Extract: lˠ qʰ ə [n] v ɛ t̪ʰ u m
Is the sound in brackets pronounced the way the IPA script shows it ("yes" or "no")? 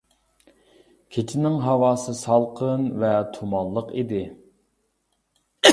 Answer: yes